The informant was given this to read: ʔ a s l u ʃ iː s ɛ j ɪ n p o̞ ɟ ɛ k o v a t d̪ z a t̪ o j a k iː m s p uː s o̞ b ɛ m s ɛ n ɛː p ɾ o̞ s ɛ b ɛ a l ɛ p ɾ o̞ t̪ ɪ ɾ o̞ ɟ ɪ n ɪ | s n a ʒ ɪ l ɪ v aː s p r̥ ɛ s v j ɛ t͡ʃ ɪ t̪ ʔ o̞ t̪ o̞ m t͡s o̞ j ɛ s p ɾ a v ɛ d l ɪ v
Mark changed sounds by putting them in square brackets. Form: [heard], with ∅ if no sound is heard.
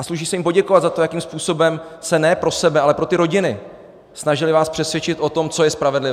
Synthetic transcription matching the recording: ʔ a s l u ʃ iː s ɛ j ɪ [m] p o̞ ɟ ɛ k o v a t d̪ z a t̪ o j a k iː m s p uː s o̞ b ɛ m s ɛ n ɛː p ɾ o̞ s ɛ b ɛ a l ɛ p ɾ o̞ t̪ ɪ ɾ o̞ ɟ ɪ n ɪ | s n a ʒ ɪ l ɪ v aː s p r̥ ɛ s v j ɛ t͡ʃ ɪ t̪ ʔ o̞ t̪ o̞ m t͡s o̞ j ɛ s p ɾ a v ɛ d l ɪ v

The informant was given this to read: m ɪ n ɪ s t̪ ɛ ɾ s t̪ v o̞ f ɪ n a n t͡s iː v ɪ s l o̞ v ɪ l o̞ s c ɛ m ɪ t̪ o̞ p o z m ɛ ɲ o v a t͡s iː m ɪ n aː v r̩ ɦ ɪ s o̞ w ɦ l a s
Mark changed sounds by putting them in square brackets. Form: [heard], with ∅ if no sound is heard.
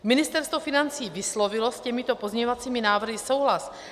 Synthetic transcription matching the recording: m ɪ n ɪ s t̪ ɛ ɾ s t̪ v o̞ f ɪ n a n t͡s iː v ɪ s l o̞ v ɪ l o̞ s c ɛ m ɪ t̪ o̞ p o z [ɲ] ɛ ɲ o v a t͡s iː m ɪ n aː v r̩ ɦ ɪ s o̞ w ɦ l a s

